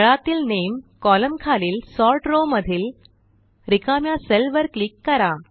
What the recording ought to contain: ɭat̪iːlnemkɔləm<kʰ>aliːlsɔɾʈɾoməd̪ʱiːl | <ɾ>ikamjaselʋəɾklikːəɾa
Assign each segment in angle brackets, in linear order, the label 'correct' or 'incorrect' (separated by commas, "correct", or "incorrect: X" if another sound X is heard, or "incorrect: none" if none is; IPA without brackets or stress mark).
correct, correct